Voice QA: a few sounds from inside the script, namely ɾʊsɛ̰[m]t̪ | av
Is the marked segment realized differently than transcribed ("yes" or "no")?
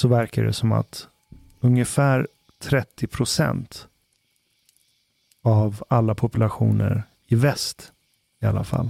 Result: yes